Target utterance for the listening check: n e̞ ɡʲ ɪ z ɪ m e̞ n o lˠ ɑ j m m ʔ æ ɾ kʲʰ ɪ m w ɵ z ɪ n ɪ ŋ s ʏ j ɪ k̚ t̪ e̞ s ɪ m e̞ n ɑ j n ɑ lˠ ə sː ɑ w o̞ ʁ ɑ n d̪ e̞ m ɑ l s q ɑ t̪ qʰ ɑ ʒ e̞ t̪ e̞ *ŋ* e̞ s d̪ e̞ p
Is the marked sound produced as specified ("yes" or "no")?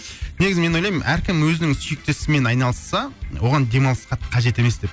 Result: no